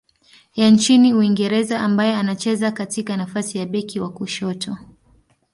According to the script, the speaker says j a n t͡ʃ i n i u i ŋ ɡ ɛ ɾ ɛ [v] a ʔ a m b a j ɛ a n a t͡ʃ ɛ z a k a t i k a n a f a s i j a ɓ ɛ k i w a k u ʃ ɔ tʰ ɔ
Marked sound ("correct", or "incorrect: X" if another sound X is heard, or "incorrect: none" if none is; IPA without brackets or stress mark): incorrect: z